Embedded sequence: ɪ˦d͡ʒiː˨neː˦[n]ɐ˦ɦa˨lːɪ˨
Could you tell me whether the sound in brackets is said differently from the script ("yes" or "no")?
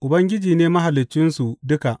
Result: yes